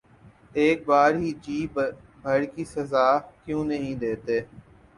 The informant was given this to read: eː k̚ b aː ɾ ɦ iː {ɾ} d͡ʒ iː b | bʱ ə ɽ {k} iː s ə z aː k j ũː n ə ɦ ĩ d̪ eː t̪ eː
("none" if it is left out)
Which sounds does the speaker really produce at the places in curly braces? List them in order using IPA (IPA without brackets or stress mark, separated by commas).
none, k